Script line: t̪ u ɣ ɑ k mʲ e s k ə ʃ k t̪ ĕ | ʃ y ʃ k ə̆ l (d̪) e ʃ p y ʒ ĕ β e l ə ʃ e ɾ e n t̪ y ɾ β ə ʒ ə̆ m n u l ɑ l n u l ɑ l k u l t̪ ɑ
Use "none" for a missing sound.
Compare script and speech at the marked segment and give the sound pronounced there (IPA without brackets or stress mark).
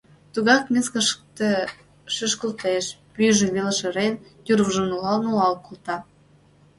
t̪